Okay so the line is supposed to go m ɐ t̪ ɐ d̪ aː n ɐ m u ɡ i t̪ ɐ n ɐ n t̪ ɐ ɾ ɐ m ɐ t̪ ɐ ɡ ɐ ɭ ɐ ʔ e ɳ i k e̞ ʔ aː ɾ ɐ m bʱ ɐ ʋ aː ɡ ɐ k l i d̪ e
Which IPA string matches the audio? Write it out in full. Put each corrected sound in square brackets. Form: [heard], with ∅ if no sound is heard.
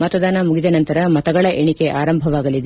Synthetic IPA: m ɐ t̪ ɐ d̪ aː n ɐ m u ɡ i [d̪] ɐ n ɐ n t̪ ɐ ɾ ɐ m ɐ t̪ ɐ ɡ ɐ ɭ ɐ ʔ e ɳ i k e̞ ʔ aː ɾ ɐ m bʱ ɐ ʋ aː ɡ ɐ [∅] l i d̪ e